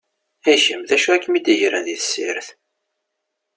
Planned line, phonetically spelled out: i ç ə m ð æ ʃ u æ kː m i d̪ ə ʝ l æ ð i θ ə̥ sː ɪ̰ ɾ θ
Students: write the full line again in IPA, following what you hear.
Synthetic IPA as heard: æ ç ə m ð æ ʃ u æ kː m i d̪ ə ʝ ɾ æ ð i θ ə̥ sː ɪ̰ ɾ θ